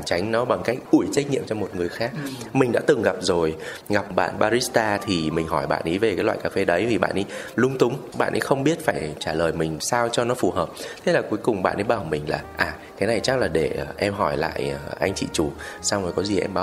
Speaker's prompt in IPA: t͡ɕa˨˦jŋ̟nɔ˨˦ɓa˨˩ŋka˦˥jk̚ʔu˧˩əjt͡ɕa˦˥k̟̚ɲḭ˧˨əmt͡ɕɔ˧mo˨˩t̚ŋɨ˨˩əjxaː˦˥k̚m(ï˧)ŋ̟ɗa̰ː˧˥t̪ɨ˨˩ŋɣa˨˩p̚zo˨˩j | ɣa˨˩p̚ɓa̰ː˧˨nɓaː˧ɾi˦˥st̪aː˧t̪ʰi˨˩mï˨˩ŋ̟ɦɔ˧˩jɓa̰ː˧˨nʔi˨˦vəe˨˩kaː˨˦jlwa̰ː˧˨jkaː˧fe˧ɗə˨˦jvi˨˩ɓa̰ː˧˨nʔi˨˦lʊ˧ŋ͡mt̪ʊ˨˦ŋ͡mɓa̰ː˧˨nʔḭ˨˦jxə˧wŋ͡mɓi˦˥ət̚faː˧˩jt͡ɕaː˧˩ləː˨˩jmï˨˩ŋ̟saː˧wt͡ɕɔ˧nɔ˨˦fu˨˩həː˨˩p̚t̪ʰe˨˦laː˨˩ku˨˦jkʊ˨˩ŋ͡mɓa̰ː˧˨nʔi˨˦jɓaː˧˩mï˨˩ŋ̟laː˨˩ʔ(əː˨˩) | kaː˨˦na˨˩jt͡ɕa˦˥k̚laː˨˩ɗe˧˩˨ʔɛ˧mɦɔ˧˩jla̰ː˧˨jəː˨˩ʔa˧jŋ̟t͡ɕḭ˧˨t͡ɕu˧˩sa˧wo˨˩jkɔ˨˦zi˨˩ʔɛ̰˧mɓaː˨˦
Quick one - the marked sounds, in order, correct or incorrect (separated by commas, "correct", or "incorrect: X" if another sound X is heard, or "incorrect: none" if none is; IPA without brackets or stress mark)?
incorrect: ï˨˩, incorrect: aː˨˩